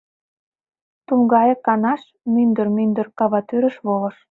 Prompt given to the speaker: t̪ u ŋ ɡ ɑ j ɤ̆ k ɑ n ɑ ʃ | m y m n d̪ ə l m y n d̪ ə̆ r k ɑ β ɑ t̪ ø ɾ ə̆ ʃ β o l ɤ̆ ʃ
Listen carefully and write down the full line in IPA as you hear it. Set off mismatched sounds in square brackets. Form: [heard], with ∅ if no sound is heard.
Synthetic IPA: t̪ u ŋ ɡ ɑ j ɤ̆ k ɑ n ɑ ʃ | m y [∅] n d̪ ə [r] m y n d̪ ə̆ r k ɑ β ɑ t̪ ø ɾ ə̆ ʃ β o l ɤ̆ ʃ